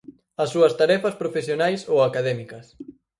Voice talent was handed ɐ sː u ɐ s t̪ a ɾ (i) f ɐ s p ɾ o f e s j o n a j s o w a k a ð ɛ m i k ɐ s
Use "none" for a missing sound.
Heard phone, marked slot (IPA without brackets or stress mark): ɛ